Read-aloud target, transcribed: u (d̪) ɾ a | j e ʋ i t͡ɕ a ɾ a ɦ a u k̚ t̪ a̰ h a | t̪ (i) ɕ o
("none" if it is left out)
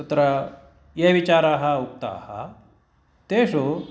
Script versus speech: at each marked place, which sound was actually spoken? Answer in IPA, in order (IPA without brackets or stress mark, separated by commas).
t̪, e